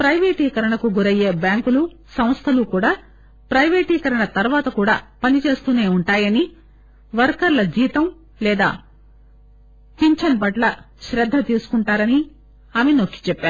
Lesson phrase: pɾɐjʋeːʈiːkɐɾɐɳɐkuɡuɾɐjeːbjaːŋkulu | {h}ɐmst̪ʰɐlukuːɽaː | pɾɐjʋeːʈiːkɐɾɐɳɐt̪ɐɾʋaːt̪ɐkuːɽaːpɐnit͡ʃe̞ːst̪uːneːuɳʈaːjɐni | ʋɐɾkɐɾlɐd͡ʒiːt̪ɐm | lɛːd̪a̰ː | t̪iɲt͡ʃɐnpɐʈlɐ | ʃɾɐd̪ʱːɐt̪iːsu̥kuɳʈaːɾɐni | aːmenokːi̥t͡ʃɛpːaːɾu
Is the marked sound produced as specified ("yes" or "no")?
no